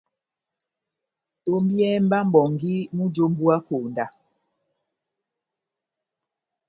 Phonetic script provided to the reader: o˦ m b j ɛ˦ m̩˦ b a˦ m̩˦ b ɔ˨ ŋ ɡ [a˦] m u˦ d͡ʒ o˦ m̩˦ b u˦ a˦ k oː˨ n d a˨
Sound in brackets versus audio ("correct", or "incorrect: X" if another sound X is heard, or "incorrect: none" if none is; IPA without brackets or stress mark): incorrect: i˦